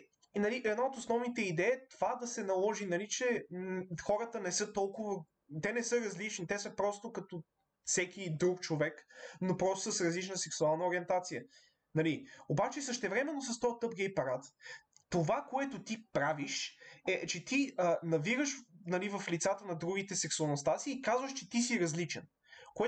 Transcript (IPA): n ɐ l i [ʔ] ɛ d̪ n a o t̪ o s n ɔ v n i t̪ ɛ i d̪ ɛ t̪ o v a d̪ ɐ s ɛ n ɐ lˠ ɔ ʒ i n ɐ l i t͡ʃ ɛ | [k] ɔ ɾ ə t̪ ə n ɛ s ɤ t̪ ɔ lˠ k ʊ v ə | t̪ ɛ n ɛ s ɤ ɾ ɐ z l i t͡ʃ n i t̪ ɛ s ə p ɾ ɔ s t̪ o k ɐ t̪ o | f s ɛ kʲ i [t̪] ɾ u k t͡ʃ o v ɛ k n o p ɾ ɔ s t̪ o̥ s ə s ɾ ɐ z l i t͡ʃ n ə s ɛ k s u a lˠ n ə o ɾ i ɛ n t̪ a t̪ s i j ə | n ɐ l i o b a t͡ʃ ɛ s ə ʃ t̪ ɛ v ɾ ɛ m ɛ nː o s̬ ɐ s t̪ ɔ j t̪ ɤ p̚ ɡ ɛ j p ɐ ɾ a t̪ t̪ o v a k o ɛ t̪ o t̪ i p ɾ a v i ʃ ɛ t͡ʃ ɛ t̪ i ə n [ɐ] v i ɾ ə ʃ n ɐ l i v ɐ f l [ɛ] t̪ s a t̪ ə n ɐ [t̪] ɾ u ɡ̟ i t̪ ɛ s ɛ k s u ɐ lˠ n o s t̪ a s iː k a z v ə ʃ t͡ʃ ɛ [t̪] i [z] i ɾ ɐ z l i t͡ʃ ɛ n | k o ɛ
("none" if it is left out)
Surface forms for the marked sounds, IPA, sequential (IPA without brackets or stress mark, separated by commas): ʔ, x, d̪, ɐ, i, d̪, t̪, s